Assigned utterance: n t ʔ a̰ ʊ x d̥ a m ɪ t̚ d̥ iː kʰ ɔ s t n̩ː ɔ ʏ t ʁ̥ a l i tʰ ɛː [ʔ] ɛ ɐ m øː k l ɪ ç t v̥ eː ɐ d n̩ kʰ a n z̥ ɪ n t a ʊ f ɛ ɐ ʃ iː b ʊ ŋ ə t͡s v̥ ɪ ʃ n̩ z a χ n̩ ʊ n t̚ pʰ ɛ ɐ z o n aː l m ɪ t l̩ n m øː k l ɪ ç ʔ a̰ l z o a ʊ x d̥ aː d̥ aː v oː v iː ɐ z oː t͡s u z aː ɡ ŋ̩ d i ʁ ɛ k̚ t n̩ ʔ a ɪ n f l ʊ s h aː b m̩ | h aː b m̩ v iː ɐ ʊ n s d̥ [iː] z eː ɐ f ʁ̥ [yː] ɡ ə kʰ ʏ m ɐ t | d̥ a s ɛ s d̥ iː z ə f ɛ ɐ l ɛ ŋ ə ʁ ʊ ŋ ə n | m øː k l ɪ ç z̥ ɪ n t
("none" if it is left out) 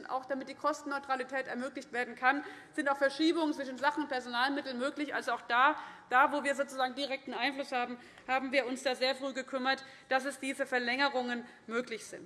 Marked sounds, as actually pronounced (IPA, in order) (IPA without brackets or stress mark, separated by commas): t, aː, yː